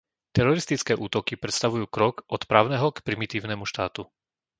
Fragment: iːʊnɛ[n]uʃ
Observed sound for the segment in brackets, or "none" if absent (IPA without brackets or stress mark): m